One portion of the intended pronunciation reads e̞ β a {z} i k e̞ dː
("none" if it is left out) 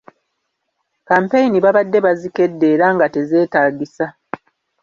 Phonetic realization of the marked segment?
z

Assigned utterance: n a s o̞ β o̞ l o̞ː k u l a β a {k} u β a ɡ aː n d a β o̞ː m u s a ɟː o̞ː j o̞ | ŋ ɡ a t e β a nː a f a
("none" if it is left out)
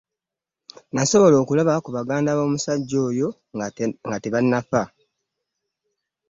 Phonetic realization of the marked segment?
k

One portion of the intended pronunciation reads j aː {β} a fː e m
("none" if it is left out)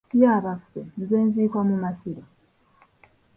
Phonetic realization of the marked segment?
β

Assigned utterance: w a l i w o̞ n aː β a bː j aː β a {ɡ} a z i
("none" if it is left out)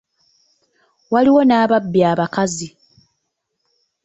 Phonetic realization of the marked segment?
k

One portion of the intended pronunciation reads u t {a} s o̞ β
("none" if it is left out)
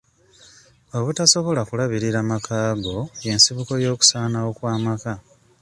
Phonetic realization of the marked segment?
a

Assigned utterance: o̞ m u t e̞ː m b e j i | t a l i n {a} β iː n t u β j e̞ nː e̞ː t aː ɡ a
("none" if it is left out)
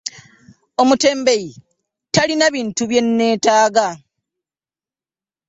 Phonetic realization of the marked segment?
a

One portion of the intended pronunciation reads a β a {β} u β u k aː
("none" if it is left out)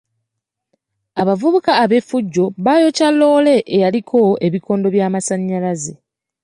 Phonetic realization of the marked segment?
v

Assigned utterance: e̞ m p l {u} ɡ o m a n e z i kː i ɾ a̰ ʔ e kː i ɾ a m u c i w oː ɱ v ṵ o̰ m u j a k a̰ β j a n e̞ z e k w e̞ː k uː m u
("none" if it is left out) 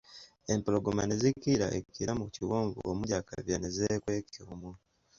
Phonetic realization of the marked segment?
o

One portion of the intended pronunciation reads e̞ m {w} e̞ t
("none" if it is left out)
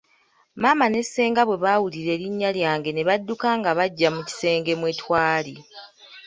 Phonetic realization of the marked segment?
w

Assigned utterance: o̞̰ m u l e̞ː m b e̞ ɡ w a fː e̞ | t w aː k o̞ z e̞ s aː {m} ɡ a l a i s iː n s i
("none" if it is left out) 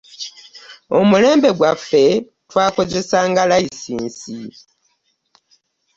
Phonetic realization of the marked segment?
ŋ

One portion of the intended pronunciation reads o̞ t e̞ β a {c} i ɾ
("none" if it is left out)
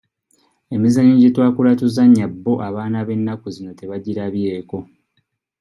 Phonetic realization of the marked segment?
ɟ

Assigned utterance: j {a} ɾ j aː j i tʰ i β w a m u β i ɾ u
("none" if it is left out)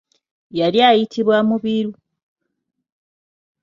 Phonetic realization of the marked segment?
a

